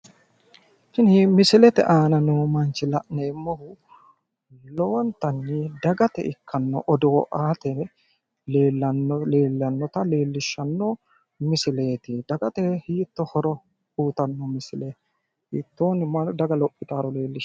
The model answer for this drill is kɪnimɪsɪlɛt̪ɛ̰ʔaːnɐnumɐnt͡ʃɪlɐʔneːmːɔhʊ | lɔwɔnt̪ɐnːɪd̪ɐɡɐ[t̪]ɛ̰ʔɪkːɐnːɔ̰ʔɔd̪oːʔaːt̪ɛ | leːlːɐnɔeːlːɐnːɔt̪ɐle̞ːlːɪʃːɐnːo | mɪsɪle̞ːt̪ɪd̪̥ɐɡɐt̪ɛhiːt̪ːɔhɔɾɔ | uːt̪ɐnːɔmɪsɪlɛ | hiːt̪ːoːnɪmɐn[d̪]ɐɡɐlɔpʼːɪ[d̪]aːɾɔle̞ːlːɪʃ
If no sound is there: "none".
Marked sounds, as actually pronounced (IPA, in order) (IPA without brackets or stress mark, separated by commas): t̪, d̪, t̪